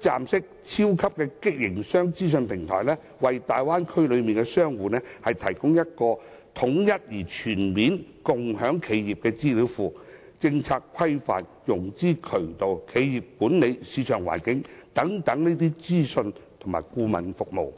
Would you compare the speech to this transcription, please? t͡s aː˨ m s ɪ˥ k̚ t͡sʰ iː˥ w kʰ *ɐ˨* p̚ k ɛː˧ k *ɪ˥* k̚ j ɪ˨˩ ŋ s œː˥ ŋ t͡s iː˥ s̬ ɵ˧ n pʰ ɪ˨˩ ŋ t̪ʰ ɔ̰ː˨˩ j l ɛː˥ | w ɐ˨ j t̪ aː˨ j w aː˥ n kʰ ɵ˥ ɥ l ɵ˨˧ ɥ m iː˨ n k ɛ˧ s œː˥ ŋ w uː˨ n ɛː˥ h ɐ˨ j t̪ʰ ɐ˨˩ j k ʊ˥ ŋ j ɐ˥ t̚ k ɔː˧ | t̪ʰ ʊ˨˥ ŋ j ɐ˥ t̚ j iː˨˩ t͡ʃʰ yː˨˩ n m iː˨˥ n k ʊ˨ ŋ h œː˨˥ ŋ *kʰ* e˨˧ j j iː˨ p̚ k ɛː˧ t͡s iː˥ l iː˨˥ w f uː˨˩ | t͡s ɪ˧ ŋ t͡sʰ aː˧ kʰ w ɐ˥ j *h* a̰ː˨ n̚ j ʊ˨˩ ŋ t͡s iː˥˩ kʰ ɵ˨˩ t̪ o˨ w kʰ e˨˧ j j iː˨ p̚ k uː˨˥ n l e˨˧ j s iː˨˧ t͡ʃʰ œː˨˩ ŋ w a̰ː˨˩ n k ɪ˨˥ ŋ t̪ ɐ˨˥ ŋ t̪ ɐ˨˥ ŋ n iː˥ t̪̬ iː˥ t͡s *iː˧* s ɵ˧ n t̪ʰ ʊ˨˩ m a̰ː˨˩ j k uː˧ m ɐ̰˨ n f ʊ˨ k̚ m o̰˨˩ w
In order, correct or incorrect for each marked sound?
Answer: incorrect: ɐ˥, correct, correct, incorrect: f, incorrect: iː˥

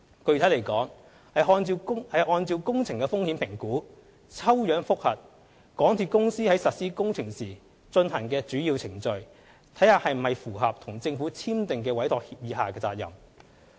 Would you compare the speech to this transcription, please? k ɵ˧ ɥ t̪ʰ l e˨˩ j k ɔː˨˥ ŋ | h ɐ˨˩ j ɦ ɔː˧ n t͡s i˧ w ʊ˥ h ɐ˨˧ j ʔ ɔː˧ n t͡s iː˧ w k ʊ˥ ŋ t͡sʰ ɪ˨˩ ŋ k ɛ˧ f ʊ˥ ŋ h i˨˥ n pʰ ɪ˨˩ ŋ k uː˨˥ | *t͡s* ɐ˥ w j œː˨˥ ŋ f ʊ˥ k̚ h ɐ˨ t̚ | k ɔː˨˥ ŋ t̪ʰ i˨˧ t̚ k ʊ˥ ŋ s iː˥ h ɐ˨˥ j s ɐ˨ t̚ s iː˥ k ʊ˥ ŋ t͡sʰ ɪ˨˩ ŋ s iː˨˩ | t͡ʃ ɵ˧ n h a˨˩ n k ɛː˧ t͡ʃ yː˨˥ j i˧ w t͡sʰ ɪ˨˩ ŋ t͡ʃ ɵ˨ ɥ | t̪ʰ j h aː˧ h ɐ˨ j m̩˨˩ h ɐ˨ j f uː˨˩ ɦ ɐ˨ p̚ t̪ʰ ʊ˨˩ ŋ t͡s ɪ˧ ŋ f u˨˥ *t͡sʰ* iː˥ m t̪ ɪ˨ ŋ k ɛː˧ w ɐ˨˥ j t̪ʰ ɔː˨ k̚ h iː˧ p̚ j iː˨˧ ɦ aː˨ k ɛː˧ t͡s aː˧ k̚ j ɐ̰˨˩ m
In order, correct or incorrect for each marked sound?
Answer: incorrect: t͡sʰ, correct

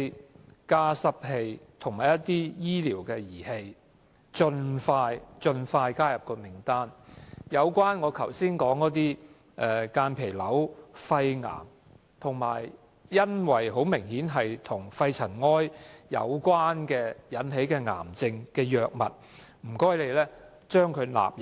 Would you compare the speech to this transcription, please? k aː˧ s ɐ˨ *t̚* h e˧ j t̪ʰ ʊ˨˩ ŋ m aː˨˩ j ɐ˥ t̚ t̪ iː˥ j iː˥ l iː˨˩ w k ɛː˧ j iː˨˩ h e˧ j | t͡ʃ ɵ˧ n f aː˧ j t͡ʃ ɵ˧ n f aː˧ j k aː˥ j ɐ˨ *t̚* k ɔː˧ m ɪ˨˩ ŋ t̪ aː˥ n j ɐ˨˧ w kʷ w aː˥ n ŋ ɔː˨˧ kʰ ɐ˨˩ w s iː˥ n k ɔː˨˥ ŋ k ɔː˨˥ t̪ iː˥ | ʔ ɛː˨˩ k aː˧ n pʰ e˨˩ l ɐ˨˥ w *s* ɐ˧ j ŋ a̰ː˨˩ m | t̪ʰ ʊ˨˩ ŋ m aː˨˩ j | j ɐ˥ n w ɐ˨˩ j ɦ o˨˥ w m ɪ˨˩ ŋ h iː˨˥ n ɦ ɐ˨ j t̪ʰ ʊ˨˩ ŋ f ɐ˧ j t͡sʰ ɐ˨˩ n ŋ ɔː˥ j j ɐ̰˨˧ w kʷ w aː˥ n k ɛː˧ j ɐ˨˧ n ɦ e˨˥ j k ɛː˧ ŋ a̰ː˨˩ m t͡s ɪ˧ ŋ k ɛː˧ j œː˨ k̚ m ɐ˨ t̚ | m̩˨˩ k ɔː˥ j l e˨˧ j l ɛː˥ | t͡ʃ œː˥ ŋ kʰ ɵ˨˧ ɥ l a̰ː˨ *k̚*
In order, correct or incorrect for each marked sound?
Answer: incorrect: p̚, incorrect: p̚, incorrect: f, incorrect: p̚

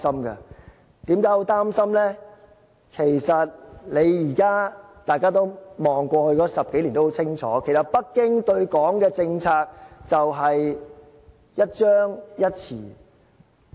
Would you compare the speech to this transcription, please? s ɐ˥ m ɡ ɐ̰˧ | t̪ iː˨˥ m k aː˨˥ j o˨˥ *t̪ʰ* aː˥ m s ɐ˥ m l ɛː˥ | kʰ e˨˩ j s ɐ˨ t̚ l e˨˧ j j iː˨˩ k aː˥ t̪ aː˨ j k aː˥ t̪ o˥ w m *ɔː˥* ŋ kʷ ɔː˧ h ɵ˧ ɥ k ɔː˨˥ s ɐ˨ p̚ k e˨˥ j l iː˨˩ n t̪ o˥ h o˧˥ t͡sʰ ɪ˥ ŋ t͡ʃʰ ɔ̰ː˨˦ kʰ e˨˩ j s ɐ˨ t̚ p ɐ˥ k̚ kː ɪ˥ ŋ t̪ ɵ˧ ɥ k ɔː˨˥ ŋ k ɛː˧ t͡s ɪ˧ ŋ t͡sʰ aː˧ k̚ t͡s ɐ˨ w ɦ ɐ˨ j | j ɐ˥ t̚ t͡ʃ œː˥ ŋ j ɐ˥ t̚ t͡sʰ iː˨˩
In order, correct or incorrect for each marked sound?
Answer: incorrect: t̪, incorrect: ɔː˨

